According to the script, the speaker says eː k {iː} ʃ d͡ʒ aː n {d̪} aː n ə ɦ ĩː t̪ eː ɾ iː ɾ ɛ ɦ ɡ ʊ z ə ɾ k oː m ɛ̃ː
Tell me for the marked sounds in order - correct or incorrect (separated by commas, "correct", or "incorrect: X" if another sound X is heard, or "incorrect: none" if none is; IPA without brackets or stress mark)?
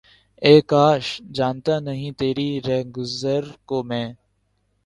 incorrect: aː, incorrect: t̪